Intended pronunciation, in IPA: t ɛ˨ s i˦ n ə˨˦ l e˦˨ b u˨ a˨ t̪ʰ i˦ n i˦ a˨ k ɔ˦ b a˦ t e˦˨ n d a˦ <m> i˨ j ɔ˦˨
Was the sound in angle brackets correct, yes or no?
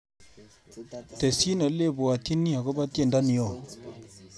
no